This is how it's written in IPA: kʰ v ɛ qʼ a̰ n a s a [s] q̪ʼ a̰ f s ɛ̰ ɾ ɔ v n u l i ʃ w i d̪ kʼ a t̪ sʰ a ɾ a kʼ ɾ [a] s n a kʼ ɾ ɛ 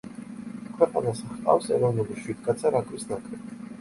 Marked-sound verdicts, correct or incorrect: incorrect, incorrect

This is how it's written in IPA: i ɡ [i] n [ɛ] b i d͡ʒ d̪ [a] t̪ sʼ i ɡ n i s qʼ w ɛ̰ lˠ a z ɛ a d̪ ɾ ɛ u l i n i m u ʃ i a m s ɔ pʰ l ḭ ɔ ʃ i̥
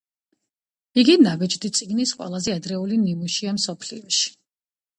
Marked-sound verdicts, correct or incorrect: correct, incorrect, incorrect

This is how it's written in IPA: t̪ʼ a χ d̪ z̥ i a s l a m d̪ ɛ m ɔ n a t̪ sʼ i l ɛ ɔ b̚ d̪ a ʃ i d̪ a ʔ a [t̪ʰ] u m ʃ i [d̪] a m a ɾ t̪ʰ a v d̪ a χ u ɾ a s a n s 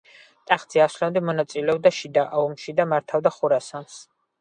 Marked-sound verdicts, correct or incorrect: incorrect, correct

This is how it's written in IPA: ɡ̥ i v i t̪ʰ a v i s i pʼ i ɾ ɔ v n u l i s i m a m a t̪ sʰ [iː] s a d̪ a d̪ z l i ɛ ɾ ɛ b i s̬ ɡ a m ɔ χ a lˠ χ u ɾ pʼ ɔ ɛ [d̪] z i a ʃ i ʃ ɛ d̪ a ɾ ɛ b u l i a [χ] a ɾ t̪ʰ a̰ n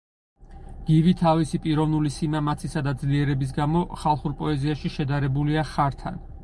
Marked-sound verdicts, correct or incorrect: incorrect, incorrect, correct

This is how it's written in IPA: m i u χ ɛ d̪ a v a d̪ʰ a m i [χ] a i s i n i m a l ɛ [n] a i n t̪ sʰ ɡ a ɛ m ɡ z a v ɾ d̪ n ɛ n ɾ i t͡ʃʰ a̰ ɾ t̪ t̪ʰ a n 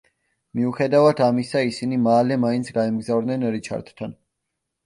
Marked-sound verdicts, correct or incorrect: incorrect, incorrect

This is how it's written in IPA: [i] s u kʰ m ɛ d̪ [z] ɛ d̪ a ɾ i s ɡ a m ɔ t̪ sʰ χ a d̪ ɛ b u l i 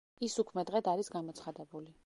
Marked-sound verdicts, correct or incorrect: correct, incorrect

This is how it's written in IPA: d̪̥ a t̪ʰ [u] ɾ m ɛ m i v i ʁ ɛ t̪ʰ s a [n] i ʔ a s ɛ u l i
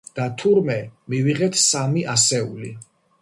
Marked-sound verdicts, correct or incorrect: correct, incorrect

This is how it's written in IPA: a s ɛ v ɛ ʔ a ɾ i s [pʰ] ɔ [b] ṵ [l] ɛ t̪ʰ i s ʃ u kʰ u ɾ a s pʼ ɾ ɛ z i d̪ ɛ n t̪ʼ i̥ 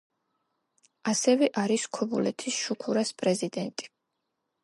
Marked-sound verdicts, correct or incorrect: incorrect, correct, correct

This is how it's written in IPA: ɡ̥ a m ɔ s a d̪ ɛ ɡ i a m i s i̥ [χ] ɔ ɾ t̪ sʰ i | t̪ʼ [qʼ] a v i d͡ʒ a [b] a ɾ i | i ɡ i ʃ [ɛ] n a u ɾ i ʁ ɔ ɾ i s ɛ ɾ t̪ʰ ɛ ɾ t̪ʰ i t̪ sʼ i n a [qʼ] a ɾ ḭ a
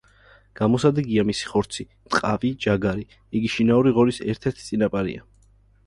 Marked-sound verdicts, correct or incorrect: correct, correct, incorrect, incorrect, incorrect

